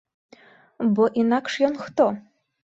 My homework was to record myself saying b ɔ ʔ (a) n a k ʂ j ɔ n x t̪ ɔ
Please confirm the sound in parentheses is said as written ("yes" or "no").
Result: no